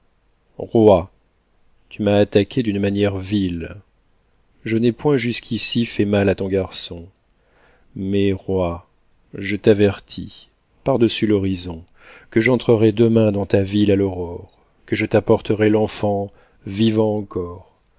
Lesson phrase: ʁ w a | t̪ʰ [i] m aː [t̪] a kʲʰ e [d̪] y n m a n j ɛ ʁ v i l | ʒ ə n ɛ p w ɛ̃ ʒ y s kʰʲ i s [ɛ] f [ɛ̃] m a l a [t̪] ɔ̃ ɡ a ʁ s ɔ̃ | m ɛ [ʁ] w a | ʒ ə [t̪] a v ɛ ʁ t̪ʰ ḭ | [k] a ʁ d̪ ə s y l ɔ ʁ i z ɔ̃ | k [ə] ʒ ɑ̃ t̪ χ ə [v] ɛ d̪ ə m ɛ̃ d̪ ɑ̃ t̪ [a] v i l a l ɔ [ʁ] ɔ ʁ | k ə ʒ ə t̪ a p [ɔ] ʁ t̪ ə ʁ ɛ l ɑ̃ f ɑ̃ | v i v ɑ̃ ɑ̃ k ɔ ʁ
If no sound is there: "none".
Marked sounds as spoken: y, t̪, d̪, i, ɛ, t̪, ʁ, t̪, p, ə, ʁ, a, ʁ, ɔ

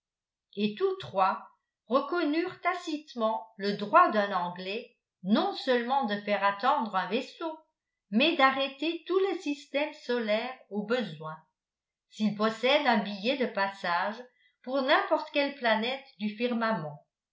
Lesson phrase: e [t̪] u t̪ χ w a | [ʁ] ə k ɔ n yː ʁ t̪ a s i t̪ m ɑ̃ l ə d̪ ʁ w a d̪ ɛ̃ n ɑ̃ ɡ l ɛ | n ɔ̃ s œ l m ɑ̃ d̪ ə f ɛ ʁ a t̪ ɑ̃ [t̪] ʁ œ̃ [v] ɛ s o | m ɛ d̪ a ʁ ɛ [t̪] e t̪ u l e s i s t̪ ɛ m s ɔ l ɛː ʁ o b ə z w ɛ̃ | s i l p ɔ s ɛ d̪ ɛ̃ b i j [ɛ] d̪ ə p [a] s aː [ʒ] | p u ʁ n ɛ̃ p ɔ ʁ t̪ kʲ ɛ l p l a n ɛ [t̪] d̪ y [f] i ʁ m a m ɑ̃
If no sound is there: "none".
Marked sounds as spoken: t̪, ʁ, d̪, v, t̪, ɛ, a, ʒ, t̪, f

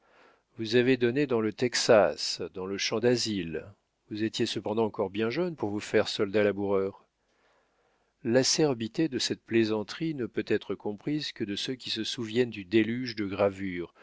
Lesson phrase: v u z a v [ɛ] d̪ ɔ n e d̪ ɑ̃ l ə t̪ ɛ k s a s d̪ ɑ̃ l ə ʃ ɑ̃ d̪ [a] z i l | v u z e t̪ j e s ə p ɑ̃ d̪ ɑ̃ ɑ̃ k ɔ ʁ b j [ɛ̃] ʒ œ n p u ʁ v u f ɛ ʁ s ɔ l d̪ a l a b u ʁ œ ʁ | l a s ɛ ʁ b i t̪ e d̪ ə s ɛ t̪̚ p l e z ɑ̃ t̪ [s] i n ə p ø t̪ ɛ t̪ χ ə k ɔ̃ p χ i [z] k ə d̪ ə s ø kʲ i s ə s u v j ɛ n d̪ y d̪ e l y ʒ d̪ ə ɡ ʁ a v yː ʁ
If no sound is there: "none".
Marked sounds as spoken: e, a, ɛ̃, χ, z

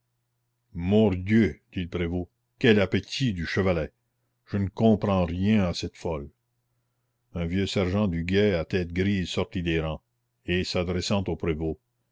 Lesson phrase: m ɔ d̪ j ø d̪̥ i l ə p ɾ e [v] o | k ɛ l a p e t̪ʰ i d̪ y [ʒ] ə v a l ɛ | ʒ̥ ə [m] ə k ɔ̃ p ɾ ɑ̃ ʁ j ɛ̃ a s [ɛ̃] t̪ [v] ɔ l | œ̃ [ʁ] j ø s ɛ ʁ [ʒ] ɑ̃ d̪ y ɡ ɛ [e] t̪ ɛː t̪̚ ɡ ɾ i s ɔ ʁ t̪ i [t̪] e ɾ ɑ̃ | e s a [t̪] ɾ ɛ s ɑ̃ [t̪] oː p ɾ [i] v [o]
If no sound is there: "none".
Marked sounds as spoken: v, ʃ, n, ɛ, f, v, ʒ, a, d̪, d̪, t̪, e, o

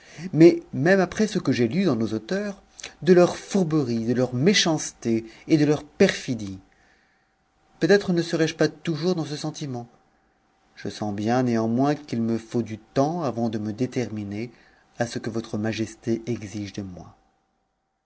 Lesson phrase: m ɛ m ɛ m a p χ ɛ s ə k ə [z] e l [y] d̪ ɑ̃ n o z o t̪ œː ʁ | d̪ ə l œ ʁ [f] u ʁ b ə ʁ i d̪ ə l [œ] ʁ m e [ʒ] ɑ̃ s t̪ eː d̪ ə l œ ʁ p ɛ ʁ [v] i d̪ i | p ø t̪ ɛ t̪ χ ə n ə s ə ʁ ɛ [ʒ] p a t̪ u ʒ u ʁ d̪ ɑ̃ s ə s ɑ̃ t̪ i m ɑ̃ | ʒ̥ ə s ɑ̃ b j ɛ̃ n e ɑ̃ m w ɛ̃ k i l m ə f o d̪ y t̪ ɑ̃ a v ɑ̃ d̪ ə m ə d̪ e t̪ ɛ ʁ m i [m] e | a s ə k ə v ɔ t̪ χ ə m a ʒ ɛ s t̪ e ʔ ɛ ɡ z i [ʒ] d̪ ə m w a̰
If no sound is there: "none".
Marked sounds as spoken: ʒ, y, f, œ, ʃ, f, ʒ, n, ʒ

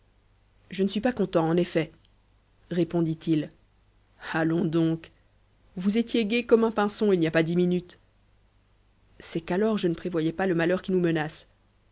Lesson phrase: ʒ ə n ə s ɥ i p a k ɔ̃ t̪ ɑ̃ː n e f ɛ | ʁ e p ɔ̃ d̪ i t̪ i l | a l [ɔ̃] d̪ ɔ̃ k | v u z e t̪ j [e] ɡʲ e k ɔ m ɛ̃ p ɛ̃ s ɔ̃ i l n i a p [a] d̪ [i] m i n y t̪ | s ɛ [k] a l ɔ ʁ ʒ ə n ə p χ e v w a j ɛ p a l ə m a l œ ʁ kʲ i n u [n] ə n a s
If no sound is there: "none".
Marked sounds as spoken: ɔ̃, e, a, i, k, m

